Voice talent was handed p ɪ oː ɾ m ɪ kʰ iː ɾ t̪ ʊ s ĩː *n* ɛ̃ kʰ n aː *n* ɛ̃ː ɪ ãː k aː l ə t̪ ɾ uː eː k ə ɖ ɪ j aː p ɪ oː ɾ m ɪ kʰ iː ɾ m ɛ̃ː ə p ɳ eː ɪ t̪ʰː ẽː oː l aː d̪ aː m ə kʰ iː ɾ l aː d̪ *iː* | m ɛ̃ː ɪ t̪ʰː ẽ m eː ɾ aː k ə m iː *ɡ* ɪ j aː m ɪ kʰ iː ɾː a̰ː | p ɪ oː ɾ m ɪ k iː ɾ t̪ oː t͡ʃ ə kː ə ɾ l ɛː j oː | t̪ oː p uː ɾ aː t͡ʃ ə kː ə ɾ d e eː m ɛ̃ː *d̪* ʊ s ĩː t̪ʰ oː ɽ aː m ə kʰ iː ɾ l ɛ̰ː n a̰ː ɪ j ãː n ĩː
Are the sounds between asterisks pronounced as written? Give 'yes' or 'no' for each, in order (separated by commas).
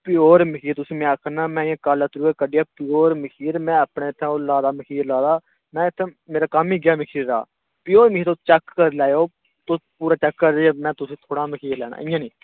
no, no, no, yes, no